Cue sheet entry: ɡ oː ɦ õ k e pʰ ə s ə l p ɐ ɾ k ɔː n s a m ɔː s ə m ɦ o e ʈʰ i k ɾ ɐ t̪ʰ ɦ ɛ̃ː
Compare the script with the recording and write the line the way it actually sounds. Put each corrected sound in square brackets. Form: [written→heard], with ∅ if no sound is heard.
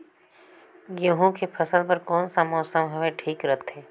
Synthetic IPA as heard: ɡ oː ɦ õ k e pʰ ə s ə l p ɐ ɾ k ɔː n s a m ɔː s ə m ɦ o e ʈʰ [i→iː] k ɾ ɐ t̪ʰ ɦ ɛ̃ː